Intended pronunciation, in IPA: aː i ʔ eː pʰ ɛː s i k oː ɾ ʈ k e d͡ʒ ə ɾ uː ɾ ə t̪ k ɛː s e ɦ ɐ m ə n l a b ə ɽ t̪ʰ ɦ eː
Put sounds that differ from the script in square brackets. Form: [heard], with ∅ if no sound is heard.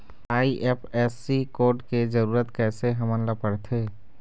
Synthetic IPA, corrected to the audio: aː i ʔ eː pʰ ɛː s i k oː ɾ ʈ k e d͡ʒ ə ɾ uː ɾ ə t̪ k ɛː s e ɦ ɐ m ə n l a [p] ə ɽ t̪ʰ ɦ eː